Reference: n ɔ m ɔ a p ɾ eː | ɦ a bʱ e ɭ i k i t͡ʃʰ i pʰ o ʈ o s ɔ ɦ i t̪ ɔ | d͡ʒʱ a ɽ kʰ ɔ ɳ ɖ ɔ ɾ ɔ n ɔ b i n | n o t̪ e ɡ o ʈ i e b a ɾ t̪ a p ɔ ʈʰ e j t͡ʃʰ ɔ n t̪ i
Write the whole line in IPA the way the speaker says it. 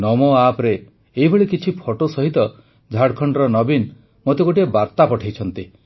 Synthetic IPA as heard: n ɔ m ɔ a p ɾ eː | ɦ i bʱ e ɭ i k i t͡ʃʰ i pʰ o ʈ o s ɔ ɦ i t̪ ɔ | d͡ʒʱ a ɽ kʰ ɔ ɳ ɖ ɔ ɾ ɔ n ɔ b i n | m o t̪ e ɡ o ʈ i e b a ɾ t̪ a p ɔ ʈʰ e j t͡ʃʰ ɔ n t̪ i